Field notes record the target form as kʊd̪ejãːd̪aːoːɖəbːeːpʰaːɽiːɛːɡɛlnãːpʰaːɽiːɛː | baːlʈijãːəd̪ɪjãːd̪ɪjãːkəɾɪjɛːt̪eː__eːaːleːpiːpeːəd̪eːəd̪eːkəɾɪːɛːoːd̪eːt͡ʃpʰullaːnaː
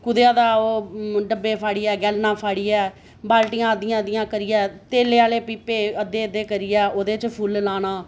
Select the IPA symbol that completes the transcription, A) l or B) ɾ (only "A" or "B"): A